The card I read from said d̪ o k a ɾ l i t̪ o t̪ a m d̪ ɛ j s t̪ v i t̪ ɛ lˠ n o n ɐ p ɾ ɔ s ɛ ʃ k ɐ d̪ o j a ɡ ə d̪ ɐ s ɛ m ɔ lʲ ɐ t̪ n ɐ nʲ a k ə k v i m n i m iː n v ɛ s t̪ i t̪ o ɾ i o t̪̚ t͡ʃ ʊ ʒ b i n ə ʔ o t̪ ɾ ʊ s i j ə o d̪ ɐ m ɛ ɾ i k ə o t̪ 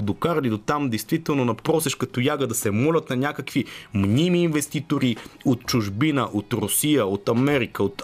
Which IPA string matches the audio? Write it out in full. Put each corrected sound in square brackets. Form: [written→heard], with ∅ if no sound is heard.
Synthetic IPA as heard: d̪ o k a ɾ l i [t̪→d̪] o t̪ a m d̪ ɛ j s t̪ v i t̪ ɛ lˠ n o n ɐ p ɾ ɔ s ɛ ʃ k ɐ [d̪→t̪] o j a ɡ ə d̪ ɐ s ɛ m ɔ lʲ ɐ t̪ n ɐ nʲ a k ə k v i m n i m iː n v ɛ s t̪ i t̪ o ɾ i o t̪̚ t͡ʃ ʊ ʒ b i n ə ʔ o t̪ ɾ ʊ s i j ə o [d̪→t̪] ɐ m ɛ ɾ i k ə o t̪